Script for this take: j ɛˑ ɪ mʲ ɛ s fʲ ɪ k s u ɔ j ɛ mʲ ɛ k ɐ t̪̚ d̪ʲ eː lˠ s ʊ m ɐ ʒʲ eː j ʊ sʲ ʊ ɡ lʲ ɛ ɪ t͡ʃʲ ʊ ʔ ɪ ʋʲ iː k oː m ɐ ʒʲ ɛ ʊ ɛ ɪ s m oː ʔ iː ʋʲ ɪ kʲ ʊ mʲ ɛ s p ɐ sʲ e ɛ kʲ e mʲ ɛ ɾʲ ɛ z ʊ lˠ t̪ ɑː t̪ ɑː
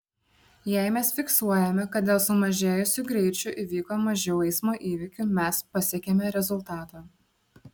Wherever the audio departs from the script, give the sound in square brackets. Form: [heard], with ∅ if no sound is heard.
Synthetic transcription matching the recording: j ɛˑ ɪ mʲ ɛ s fʲ ɪ k s u ɔ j ɛ mʲ ɛ k ɐ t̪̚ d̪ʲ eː lˠ s ʊ m ɐ ʒʲ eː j ʊ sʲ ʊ ɡ [ɾʲ] ɛ ɪ t͡ʃʲ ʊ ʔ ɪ ʋʲ iː k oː m ɐ ʒʲ ɛ ʊ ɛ ɪ s m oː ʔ iː ʋʲ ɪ kʲ ʊ mʲ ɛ s p ɐ sʲ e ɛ kʲ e mʲ ɛ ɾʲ ɛ z ʊ lˠ t̪ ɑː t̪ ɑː